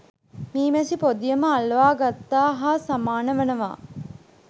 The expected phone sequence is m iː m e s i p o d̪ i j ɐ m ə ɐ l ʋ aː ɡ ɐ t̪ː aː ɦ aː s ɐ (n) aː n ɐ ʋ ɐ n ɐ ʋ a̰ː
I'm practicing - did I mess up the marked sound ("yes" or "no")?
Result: yes